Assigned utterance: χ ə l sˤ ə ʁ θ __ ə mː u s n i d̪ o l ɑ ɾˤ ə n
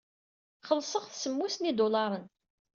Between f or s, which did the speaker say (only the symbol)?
s